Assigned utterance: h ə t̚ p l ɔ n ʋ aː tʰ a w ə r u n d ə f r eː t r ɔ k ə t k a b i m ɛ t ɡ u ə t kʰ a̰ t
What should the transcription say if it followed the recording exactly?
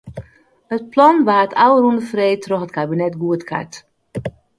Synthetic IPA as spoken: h ə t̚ p l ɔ n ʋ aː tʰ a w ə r u n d ə f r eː t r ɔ x ə t k a b i n ɛ t ɡ u ə t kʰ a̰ t